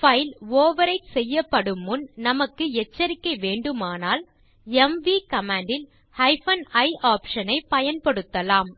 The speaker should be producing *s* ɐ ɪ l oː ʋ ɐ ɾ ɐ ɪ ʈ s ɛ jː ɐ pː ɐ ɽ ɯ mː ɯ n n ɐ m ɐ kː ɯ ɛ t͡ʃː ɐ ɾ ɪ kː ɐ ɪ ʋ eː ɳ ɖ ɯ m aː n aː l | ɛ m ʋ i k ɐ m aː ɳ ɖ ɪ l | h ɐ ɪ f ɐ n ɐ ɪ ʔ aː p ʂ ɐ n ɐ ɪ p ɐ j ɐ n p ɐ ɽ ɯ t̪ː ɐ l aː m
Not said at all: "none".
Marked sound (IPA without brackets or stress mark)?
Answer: f